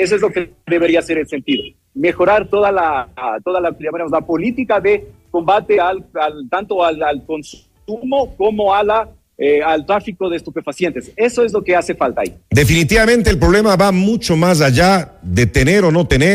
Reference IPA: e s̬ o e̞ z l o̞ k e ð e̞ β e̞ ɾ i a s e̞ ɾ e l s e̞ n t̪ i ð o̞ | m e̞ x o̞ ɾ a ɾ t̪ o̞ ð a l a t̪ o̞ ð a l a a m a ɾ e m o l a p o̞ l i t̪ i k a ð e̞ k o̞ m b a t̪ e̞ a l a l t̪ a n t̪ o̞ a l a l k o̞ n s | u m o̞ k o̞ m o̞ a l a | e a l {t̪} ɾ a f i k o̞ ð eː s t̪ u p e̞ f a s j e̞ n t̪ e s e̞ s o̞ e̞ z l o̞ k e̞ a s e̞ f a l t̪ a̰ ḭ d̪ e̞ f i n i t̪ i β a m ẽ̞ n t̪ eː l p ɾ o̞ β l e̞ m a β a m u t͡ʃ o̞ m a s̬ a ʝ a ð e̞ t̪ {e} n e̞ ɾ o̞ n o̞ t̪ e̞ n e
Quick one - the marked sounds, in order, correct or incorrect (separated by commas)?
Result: correct, correct